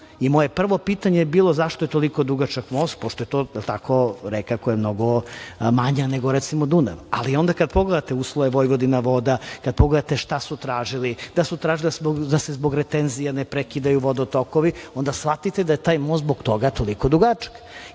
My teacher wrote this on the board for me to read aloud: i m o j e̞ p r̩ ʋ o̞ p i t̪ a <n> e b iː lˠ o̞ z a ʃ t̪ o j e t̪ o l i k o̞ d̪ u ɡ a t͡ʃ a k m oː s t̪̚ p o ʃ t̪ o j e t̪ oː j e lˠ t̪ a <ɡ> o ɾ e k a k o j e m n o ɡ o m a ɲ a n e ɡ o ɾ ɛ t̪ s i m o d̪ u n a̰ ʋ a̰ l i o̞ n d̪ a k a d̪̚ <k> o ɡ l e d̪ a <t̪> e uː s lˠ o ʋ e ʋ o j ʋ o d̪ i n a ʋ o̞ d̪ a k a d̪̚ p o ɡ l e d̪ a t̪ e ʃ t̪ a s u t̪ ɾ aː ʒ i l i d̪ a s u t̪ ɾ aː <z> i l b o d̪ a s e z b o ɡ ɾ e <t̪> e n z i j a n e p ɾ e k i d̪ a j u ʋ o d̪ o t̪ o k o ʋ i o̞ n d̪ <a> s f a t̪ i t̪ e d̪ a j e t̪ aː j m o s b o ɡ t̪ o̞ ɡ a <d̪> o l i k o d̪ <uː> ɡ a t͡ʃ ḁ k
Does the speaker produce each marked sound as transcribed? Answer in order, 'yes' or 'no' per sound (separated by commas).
no, no, no, yes, no, yes, yes, no, no